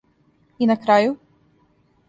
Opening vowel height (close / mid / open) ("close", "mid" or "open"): close